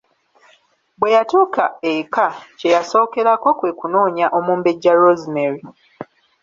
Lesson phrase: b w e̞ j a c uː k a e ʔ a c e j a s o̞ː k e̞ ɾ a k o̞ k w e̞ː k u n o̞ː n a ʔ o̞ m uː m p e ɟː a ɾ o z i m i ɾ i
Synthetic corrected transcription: b w e̞ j a t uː k a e k a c e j a s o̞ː k e̞ ɾ a k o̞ k w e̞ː k u n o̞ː ɲ a ʔ o̞ m uː m b e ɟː a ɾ o z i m e ɾ i

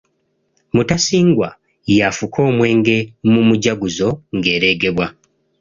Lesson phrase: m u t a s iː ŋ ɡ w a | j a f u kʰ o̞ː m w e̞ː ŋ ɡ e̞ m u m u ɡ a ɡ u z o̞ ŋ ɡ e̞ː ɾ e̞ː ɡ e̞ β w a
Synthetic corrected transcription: m u t a s iː ŋ ɡ w a | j a f u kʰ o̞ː m w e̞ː ŋ ɡ e̞ m u m u ɟ a ɡ u z o̞ ŋ ɡ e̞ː ɾ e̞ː ɡ e̞ β w a

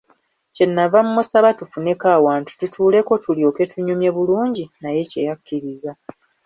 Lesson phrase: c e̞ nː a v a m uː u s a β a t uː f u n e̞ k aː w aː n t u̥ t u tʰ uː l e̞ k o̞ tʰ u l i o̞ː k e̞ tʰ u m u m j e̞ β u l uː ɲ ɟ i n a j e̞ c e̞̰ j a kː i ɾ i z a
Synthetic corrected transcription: c e̞ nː a v a m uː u s a β a t u f u n e̞ k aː w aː n t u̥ t u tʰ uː l e̞ k o̞ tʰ u l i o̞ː k e̞ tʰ u ɲ u m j e̞ β u l uː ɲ ɟ i n a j e̞ c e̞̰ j a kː i ɾ i z a

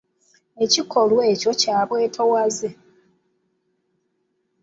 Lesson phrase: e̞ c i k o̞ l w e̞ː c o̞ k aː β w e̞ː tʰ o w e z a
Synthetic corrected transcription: e̞ c i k o̞ l w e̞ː c o̞ c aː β w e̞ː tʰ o w a z e

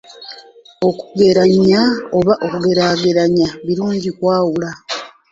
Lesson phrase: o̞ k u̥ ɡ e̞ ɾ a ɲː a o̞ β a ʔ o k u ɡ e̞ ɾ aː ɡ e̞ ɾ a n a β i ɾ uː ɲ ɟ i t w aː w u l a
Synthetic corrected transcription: o̞ k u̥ ɡ e̞ ɾ a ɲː a o̞ β a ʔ o k u ɡ e̞ ɾ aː ɡ e̞ ɾ a ɲ a β i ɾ uː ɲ ɟ i k w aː w u l a

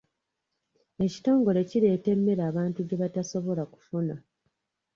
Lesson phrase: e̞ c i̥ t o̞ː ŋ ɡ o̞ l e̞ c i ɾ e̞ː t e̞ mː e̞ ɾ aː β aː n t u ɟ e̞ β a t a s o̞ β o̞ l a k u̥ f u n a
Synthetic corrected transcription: e̞ c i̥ t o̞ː ŋ ɡ o̞ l e̞ c i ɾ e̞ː t e̞ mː e̞ ɾ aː β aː n t u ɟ e̞ β a t a s o̞ β o̞ l a k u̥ f u n a

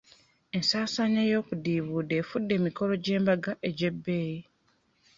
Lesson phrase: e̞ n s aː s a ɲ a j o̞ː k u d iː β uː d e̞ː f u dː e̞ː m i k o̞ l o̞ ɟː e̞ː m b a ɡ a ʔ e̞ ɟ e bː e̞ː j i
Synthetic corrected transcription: e̞ n s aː s a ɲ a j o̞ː k u d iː β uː d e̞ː f u dː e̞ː m i k o̞ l o̞ ɟ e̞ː m b a ɡ a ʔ e̞ ɟ e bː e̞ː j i

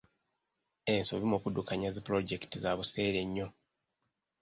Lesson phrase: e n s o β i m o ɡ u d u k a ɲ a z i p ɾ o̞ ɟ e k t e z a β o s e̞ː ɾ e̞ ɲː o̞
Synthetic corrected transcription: e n s o β i m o k u d u k a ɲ a z i p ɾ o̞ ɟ e k t i z a β u s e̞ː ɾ e̞ ɲː o̞

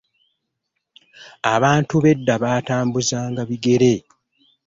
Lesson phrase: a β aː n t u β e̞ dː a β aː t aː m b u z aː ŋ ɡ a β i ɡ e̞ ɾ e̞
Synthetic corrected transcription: a β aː n t u β e̞ dː a β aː t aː m b u z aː ŋ ɡ a β i ɡ e̞ ɾ e̞

